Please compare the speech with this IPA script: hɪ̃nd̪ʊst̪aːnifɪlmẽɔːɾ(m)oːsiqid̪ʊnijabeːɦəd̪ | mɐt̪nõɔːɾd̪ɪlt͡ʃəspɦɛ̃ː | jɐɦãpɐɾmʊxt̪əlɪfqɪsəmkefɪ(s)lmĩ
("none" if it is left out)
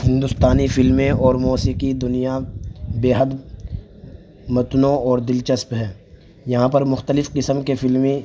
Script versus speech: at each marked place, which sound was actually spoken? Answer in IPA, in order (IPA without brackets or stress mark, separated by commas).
m, none